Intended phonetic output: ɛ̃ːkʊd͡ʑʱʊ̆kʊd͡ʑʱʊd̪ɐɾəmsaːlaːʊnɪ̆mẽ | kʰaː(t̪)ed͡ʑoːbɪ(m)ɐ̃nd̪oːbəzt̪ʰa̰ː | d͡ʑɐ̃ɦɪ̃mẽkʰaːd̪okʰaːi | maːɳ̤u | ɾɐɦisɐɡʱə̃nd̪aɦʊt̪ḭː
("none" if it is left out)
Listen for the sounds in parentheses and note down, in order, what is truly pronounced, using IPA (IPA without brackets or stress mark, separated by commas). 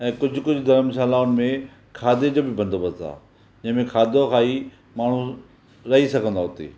d̪, b